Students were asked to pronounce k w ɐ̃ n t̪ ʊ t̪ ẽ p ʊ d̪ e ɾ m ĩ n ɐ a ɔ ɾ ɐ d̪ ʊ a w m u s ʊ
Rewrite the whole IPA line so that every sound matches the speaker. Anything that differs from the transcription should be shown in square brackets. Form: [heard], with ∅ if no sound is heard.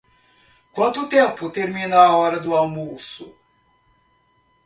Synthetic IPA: k w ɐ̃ n t̪ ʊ t̪ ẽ p ʊ [t̪] e ɾ m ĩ n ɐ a ɔ ɾ ɐ d̪ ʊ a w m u s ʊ

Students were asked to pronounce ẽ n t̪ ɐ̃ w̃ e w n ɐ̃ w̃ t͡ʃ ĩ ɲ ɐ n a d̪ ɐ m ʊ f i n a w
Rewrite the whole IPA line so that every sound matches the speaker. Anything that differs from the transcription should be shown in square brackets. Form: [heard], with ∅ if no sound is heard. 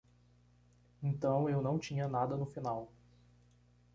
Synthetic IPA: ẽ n t̪ ɐ̃ w̃ e w n ɐ̃ w̃ t͡ʃ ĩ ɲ ɐ n a d̪ ɐ [n] ʊ f i n a w

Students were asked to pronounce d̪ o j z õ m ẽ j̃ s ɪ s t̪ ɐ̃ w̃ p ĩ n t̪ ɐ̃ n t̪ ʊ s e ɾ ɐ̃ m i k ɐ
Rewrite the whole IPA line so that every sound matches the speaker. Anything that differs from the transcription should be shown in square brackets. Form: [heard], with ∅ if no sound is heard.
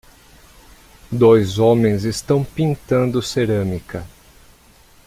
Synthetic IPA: d̪ o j z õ m ẽ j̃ [z] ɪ s t̪ ɐ̃ w̃ p ĩ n t̪ ɐ̃ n [d̪] ʊ s e ɾ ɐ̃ m i k ɐ

